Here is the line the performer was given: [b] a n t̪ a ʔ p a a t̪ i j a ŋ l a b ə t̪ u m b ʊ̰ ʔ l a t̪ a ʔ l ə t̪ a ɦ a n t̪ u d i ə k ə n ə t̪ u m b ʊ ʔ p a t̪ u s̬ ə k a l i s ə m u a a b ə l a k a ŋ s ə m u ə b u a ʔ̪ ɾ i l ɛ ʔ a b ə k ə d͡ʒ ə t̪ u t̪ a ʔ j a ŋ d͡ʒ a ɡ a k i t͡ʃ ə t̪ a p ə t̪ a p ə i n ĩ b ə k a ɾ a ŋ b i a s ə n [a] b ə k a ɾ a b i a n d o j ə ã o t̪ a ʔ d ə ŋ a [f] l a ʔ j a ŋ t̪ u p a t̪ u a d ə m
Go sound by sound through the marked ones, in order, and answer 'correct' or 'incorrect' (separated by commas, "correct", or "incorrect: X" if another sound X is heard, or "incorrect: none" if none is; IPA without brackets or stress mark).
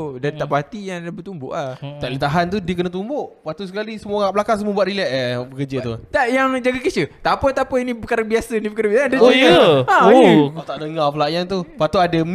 incorrect: d, incorrect: i, correct